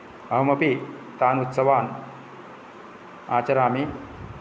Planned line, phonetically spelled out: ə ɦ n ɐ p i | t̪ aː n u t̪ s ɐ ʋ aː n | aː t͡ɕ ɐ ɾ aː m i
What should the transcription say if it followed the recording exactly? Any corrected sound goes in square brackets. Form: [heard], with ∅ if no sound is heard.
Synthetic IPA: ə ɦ [m] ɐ p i | t̪ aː n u t̪ s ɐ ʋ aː n | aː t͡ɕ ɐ ɾ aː m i